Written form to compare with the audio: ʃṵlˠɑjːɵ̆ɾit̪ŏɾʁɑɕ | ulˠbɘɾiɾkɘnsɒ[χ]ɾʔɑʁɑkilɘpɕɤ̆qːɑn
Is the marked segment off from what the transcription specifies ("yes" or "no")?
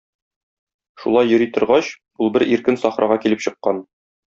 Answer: no